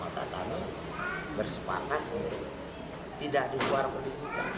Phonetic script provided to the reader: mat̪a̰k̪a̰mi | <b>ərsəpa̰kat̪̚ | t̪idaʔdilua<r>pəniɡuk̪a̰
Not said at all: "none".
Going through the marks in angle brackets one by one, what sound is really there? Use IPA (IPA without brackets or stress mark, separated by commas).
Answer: b, r